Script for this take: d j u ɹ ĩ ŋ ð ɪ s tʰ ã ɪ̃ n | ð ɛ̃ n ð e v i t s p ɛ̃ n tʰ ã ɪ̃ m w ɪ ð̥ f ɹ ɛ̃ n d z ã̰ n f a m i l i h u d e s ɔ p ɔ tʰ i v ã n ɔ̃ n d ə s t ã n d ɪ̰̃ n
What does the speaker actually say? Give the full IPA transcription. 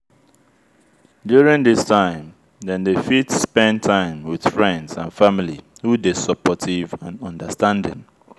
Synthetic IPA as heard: d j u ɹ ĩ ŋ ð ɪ s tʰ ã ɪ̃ m | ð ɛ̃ n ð e f i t s p ɛ̃ n tʰ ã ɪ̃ m w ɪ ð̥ f ɹ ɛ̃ n d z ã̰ n f a m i l i h u d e s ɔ p ɔ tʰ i v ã n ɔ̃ n d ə s t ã n d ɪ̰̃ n

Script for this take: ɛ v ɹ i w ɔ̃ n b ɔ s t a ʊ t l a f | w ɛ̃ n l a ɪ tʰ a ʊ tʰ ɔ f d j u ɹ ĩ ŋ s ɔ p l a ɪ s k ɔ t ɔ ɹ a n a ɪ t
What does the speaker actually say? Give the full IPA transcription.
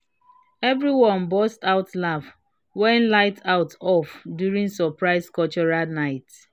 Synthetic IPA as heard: ɛ v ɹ i w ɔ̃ n b ɔ s t a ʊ t l a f | w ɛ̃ n l a ɪ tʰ a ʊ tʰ ɔ f d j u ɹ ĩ ŋ s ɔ p ɹ a ɪ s k ɔ t͡ʃ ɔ ɹ a n a ɪ t

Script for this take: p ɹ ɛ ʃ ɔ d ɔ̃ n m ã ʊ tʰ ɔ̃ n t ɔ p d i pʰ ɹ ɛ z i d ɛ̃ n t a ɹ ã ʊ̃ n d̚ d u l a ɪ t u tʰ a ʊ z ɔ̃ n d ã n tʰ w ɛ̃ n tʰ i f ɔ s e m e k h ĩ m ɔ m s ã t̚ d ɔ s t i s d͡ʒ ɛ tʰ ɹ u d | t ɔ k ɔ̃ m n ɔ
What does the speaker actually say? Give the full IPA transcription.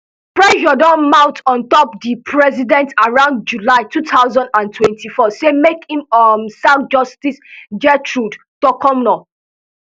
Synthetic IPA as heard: p ɹ ɛ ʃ ɔ d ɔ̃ n m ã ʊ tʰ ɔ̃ n t ɔ p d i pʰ ɹ ɛ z i d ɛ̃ n t a ɹ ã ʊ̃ n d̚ d͡ʒ u l a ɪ t u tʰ a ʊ z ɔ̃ n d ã n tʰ w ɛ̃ n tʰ i f ɔ s e m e k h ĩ m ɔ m s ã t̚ d͡ʒ ɔ s t i s d͡ʒ ɛ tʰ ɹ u d | t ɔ k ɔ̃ m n ɔ

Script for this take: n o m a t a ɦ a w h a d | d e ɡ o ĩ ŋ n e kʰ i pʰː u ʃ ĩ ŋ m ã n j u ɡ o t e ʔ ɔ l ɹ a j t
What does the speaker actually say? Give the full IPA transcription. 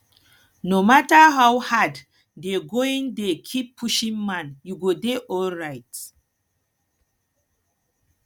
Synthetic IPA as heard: n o m a t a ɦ a w h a d | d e ɡ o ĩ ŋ d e kʰ i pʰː u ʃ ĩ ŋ m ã n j u ɡ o d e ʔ ɔ l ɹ a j t

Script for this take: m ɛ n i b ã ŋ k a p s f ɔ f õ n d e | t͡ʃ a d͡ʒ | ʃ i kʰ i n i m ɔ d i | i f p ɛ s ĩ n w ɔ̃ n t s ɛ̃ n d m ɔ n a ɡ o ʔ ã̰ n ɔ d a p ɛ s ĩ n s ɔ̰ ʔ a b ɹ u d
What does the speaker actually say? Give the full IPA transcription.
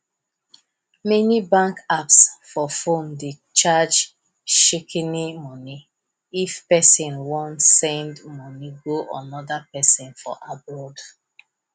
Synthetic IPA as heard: m ɛ n i b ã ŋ k a p s f ɔ f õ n d e | t͡ʃ a d͡ʒ | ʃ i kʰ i n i m ɔ n i | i f p ɛ s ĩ n w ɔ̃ n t s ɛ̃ n d m ɔ n i ɡ o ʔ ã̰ n ɔ d a p ɛ s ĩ n f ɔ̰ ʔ a b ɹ ɔ d

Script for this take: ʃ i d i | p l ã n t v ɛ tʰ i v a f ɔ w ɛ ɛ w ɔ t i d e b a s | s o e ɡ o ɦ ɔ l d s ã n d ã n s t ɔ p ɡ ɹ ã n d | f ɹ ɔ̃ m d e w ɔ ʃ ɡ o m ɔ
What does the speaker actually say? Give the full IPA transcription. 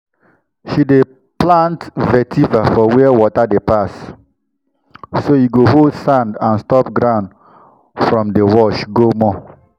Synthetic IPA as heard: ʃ i d e | p l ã n t v ɛ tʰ i v a f ɔ w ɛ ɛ w ɔ t a d e p a s | s o i ɡ o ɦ o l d s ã n d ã n s t ɔ p ɡ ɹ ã n d | f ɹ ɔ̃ m d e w ɔ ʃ ɡ o m ɔ

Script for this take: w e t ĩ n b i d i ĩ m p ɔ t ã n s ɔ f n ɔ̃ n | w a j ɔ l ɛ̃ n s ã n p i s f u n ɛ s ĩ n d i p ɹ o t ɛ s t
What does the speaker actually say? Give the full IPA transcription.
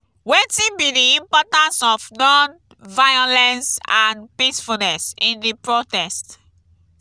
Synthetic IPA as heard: w e t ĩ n b i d i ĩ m p ɔ t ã n s ɔ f n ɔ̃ n | v a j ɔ l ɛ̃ n s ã n p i s f u n ɛ s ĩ n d i p ɹ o t ɛ s t

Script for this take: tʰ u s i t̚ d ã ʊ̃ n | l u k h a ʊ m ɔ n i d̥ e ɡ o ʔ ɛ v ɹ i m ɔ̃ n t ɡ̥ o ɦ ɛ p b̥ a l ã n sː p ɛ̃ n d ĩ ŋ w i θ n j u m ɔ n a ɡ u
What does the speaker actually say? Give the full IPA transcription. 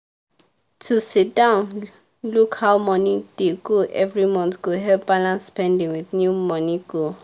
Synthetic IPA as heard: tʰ u s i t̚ d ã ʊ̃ n | l u k h a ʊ m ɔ n i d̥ e ɡ o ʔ ɛ v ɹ i m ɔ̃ n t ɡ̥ o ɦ ɛ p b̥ a l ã n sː p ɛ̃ n d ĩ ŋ w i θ n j u m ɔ n i ɡ o

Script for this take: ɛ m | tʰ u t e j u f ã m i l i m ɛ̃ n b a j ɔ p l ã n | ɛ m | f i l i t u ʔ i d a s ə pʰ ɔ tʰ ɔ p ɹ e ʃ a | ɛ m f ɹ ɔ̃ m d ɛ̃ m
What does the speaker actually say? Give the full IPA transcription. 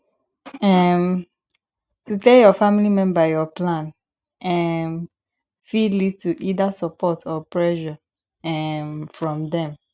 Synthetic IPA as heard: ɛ m | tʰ u t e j ɔ f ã m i l i m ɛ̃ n b a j ɔ p l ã n | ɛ m | f i l i t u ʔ i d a s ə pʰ ɔ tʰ ɔ p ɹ ɛ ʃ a | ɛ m f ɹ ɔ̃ m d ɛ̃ m

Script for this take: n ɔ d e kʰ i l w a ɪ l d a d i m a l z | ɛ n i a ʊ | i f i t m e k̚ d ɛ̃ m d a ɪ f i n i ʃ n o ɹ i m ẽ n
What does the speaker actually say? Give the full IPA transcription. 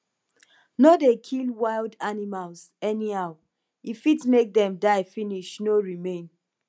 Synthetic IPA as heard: n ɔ d e kʰ i l w a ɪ l d a n i m a l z | ɛ n i a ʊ | i f i t m e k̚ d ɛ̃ m d a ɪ f i n i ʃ n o ɹ i m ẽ n

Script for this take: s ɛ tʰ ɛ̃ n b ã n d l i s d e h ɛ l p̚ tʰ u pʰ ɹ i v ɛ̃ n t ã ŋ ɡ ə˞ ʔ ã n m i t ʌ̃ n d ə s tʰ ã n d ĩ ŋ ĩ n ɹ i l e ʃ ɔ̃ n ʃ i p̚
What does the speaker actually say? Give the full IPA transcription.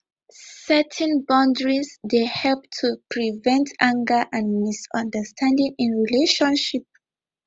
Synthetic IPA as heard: s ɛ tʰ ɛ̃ n b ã n d ɹ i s d e h ɛ l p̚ tʰ u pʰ ɹ i v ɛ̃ n t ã ŋ ɡ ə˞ ʔ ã n m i s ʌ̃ n d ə s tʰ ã n d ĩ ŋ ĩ n ɹ i l e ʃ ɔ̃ n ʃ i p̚

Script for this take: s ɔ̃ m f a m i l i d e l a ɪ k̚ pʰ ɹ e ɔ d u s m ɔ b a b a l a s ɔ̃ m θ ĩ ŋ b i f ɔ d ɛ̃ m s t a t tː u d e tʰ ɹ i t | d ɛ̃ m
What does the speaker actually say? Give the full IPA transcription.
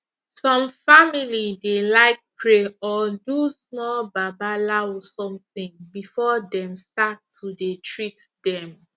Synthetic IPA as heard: s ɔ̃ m f a m i l i d e l a ɪ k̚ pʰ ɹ e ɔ d u s m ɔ b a b a l a s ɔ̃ m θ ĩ ŋ b i f ɔ d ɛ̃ m s t a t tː u d e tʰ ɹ i t | d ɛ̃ m

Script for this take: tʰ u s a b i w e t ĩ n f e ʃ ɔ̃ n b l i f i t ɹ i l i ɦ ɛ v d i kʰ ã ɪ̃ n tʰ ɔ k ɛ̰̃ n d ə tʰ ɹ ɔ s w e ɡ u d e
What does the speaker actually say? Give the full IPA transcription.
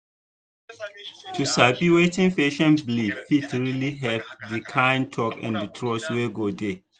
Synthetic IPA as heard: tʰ u s a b i w e t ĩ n f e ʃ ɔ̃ n b l i f i t ɹ i l i ɦ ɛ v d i kʰ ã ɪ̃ n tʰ ɔ k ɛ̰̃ n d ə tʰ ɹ ɔ s w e ɡ o d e

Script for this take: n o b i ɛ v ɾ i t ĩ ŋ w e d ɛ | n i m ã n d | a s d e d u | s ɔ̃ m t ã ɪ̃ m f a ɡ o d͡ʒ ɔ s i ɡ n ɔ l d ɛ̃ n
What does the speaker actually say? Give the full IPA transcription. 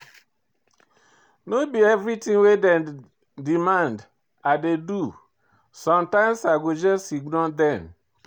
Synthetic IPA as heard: n o b i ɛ v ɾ i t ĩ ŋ w e d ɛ | d i m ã n d | a d e d u | s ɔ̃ m t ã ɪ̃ m s a ɡ o d͡ʒ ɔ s i ɡ n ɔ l d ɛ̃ n

